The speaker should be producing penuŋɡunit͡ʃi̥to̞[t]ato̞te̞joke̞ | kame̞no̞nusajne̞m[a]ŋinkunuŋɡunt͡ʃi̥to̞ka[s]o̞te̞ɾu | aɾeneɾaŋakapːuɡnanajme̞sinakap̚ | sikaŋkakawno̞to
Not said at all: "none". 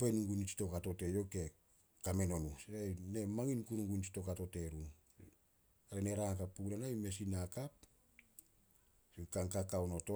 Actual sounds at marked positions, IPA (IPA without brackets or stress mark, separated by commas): k, a, t